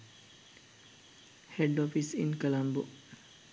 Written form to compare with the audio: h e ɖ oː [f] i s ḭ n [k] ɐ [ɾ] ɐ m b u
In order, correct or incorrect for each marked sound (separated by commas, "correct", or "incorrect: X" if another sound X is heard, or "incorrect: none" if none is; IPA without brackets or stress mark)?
correct, correct, incorrect: l